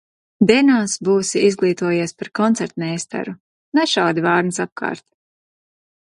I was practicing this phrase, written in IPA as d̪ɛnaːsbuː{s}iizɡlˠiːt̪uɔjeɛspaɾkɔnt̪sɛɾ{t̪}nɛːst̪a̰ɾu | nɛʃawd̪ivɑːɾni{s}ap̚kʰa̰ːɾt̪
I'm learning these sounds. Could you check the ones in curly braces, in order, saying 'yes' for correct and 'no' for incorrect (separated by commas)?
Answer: yes, yes, yes